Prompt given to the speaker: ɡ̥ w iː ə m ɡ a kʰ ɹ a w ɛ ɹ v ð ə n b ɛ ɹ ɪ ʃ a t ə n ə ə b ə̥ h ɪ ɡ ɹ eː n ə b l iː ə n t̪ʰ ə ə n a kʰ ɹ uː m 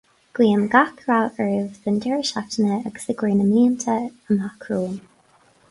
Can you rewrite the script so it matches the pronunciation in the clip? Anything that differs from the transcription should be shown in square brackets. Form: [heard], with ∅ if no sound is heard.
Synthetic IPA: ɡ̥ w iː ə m ɡ a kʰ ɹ a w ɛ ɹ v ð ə n [d] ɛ ɹ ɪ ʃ a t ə n ə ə [ɡ] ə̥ [s] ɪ ɡ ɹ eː n ə [m] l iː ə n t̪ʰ ə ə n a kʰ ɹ uː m